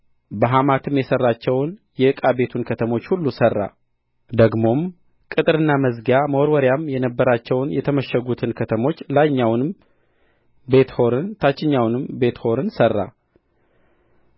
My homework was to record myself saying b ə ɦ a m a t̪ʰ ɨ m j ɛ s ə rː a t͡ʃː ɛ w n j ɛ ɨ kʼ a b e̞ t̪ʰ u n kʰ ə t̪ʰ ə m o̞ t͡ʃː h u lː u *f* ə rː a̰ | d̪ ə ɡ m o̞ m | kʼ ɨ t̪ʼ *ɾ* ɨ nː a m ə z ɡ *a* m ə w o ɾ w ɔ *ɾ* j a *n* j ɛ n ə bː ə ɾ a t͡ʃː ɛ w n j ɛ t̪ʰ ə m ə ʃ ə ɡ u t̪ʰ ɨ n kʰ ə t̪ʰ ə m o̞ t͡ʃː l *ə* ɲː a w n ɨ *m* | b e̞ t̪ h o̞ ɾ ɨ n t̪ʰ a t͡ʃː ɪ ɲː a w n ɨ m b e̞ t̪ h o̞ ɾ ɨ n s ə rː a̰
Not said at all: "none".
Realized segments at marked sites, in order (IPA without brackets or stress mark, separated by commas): s, ɾ, a, ɾ, m, a, m